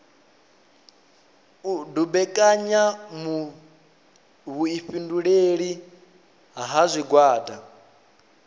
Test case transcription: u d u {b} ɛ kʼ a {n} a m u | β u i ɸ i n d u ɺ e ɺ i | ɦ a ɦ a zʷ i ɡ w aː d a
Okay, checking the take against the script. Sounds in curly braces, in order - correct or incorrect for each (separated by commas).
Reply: correct, incorrect